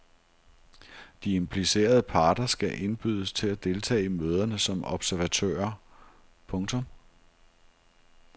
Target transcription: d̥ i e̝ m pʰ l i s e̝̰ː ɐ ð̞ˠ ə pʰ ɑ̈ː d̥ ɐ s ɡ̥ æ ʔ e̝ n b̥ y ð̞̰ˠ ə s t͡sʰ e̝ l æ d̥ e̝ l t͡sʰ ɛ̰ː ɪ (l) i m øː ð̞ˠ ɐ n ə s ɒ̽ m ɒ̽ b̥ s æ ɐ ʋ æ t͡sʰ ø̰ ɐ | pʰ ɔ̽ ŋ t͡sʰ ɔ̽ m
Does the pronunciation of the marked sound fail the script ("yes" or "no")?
yes